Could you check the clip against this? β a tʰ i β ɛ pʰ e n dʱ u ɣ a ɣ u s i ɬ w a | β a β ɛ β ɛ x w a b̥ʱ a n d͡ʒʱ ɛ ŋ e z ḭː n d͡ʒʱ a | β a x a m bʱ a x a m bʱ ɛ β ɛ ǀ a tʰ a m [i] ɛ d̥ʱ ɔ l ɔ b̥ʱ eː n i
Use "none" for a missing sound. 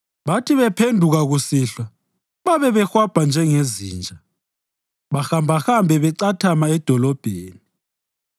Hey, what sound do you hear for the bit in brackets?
a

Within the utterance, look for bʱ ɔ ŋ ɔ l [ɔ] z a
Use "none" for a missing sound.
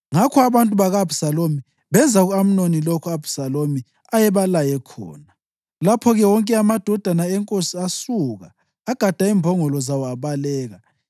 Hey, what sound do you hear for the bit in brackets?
ɔ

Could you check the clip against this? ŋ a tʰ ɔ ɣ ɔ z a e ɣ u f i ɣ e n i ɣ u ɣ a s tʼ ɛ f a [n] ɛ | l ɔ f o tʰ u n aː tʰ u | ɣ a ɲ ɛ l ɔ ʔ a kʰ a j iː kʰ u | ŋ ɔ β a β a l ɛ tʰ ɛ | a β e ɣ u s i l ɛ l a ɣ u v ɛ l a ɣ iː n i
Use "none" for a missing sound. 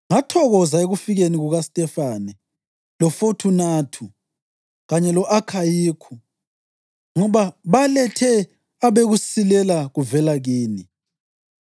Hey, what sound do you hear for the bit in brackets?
n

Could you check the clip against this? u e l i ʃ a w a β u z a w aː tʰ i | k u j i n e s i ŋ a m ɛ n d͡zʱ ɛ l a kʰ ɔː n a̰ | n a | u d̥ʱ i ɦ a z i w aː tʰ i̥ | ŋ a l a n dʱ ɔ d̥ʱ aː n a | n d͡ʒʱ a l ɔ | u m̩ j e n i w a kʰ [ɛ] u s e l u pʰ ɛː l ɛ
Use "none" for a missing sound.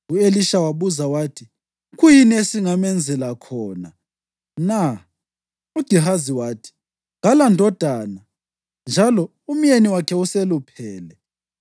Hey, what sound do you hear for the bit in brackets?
ɛ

